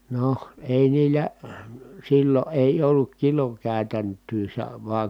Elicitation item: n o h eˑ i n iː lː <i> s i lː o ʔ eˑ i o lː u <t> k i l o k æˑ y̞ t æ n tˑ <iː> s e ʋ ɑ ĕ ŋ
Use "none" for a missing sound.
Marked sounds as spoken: æ, k, yː

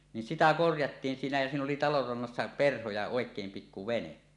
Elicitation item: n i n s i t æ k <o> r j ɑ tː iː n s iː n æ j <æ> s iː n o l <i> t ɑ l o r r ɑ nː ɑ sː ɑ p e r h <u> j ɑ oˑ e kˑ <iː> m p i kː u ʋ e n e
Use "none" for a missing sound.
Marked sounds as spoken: o, æ, i, o, eː

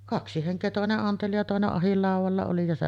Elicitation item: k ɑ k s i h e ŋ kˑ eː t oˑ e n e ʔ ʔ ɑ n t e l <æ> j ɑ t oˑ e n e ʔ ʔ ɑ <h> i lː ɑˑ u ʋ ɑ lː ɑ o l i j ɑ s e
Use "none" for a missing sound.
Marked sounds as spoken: i, h

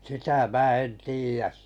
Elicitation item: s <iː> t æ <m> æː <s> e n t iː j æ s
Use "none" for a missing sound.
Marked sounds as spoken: i, m, none

